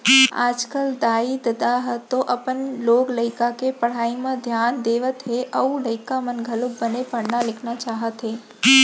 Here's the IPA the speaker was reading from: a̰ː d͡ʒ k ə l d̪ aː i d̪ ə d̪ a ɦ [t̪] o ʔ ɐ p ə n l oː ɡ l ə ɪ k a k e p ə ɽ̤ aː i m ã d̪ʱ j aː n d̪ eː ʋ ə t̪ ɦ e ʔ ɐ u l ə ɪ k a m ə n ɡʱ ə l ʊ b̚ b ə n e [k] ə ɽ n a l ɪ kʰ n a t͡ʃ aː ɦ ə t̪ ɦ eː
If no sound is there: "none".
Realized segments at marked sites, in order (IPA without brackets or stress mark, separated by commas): t̪, p